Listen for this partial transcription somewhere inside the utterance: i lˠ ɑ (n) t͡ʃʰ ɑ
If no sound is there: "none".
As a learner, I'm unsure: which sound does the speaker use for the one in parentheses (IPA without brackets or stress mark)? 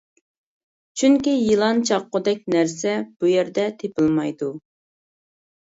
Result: n